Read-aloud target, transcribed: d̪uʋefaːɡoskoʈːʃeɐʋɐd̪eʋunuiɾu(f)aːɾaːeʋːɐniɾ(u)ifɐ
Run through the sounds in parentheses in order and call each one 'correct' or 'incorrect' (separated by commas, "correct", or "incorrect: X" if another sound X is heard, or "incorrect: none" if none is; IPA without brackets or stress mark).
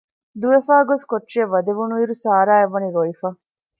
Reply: incorrect: s, incorrect: o